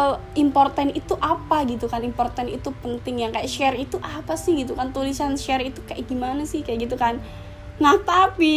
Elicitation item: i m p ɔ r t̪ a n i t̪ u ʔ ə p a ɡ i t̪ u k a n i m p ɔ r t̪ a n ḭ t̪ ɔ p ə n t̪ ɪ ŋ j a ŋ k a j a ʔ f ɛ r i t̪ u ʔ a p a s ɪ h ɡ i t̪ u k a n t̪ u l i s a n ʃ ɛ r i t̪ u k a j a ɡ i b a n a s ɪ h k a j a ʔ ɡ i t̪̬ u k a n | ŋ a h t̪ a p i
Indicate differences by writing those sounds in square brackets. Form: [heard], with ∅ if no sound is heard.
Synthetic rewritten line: i m p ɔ r t̪ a n i t̪ u ʔ [a] p a ɡ i t̪ u k a n i m p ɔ r t̪ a n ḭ t̪ [u] p ə n t̪ ɪ ŋ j a ŋ k a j a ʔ [ʃ] ɛ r i t̪ u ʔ a p a s ɪ h ɡ i t̪ u k a n t̪ u l i s a n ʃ ɛ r i t̪ u k a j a ɡ i [m] a n a s ɪ h k a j a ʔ ɡ i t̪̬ u k a n | ŋ a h t̪ a p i